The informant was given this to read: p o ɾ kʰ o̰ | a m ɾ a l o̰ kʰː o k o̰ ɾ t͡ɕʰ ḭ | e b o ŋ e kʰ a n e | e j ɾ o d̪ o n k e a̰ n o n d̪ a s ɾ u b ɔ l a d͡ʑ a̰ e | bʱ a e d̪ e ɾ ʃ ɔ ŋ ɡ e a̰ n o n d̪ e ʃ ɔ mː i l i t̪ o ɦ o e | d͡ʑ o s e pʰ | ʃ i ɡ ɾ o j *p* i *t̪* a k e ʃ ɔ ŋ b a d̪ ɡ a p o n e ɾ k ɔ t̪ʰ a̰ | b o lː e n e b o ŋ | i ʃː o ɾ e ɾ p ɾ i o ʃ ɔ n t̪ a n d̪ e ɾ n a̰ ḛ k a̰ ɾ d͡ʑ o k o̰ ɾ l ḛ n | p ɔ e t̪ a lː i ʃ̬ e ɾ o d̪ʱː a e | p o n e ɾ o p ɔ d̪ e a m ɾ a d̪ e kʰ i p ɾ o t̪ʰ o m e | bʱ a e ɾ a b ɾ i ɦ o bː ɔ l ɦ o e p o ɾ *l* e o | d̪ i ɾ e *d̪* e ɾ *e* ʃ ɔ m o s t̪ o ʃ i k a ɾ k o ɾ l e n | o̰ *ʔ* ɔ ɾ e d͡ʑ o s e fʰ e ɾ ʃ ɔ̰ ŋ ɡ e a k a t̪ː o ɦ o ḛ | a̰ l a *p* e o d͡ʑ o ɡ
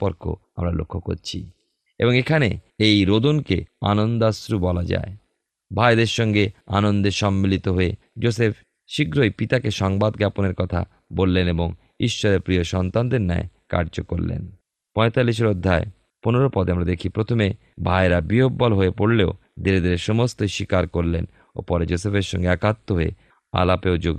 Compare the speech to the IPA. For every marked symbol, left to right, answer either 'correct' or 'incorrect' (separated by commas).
correct, correct, correct, correct, correct, incorrect, correct